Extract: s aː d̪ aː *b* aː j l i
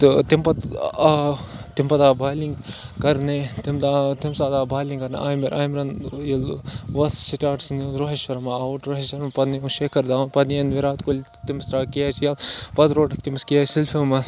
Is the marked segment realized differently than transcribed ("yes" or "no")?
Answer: no